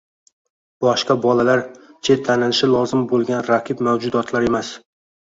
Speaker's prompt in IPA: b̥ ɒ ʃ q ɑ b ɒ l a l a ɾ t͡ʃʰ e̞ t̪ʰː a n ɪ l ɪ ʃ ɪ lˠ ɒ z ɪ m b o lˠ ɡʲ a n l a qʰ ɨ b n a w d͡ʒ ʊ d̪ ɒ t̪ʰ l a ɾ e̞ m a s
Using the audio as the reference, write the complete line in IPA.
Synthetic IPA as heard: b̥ ɒ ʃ q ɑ b ɒ l a l a ɾ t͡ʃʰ e̞ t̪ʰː a n ɪ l ɪ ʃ ɪ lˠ ɒ z ɪ m b o lˠ ɡʲ a n ɾ a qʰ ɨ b m a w d͡ʒ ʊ d̪ ɒ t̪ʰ l a ɾ e̞ m a s

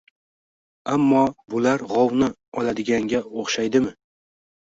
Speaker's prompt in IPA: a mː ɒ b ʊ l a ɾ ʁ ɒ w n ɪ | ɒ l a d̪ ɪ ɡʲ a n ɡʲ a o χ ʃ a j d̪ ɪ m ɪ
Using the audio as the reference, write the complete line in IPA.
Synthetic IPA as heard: a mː ɒ b ʊ l a ɾ ʁ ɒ w n ɪ | ɒ l a d̪ ɪ ɡʲ a ŋ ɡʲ a o χ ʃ a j d̪ ɪ m ɪ

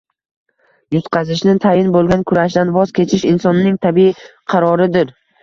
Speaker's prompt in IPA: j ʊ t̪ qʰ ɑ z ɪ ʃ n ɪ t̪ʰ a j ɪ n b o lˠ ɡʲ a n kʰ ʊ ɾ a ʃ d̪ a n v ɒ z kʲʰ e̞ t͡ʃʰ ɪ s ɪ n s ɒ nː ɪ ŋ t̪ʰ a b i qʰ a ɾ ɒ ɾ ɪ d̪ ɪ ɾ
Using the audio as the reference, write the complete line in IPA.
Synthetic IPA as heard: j ʊ t̪ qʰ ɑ z ɪ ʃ n ɪ t̪ʰ a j ɪ n b o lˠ ɡʲ a n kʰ ʊ ɾ a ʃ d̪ a n v ɒ z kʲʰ e̞ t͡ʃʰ ɪ ʃ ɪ n s ɒ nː ɪ ŋ t̪ʰ a b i qʰ ɑ ɾ ɒ ɾ ɪ d̪ ɪ ɾ

